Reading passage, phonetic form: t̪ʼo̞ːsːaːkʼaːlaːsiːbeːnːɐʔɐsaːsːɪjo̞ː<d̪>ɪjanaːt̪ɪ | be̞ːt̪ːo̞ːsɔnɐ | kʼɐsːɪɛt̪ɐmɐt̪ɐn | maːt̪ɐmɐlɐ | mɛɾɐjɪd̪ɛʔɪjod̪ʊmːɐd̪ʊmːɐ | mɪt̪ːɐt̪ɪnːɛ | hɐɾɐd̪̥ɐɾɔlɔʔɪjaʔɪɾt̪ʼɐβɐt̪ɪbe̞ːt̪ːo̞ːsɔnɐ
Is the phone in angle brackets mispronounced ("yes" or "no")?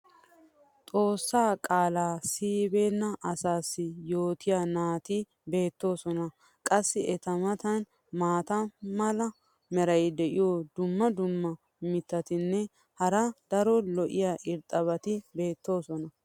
yes